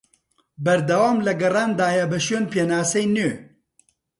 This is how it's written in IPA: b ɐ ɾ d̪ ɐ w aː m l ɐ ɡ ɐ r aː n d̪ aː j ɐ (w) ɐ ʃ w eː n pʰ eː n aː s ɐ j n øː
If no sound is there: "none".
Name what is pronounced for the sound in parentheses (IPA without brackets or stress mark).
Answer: b